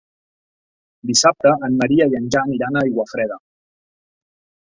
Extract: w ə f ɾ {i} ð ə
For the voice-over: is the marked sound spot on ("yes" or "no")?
no